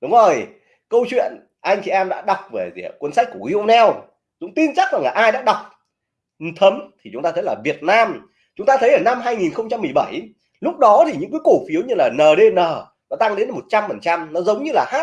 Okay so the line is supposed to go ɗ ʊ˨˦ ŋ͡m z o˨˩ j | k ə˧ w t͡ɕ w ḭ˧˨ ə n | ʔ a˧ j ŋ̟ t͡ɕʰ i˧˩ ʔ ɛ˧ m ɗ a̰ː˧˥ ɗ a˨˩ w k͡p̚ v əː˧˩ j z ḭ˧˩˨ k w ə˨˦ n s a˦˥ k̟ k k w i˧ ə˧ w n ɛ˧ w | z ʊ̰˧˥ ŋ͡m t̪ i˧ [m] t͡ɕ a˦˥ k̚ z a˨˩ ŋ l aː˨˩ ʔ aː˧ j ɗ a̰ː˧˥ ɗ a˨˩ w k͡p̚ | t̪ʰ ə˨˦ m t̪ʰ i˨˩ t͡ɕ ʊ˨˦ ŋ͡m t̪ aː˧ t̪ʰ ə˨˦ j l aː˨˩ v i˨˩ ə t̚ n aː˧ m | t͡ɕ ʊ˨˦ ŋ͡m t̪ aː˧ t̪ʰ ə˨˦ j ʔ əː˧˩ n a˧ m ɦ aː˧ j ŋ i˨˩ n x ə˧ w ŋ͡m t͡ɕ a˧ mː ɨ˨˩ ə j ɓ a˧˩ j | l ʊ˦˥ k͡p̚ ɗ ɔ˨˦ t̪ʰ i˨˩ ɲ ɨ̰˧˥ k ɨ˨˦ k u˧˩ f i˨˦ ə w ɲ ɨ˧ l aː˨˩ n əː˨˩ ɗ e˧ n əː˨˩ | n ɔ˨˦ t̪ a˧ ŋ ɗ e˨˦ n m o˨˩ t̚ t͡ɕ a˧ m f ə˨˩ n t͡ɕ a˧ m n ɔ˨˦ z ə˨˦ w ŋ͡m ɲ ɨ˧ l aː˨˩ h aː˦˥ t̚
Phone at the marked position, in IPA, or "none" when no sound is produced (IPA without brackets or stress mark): n